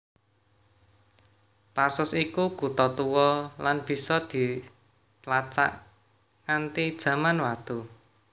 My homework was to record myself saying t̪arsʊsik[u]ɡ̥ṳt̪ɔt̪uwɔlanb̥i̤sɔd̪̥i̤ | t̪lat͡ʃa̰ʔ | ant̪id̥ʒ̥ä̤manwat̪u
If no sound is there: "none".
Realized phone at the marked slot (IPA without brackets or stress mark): u